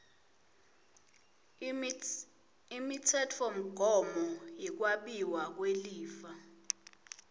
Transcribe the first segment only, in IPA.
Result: i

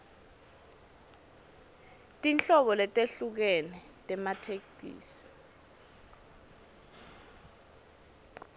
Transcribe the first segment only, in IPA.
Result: tʼ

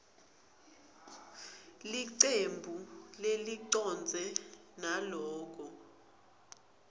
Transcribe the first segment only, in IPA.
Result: l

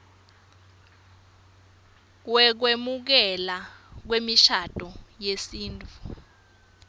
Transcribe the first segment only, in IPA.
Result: w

